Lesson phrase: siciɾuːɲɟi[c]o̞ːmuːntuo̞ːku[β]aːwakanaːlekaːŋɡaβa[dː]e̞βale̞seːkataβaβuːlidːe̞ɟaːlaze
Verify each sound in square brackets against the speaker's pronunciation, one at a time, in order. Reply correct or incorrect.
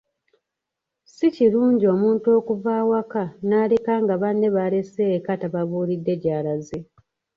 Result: incorrect, incorrect, incorrect

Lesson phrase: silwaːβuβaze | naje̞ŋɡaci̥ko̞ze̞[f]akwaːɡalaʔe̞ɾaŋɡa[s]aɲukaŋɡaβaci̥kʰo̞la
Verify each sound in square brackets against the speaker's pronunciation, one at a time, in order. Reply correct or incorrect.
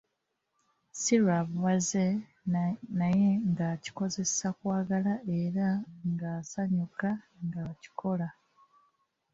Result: incorrect, correct

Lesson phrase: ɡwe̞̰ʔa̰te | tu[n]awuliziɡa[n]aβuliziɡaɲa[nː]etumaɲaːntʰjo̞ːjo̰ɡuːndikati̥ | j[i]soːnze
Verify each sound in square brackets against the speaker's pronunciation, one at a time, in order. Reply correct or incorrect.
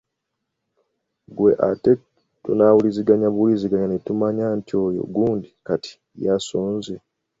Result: correct, incorrect, incorrect, incorrect

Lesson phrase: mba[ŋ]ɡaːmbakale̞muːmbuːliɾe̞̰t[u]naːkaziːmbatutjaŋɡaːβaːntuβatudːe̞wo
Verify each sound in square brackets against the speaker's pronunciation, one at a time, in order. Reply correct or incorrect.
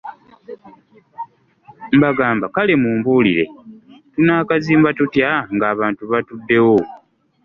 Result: incorrect, correct

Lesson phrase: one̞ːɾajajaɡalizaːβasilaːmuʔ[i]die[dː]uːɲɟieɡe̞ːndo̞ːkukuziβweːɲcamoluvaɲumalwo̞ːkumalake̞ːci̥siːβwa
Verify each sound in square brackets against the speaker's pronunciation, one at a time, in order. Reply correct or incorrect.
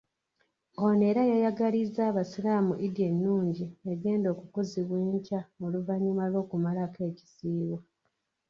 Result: correct, incorrect

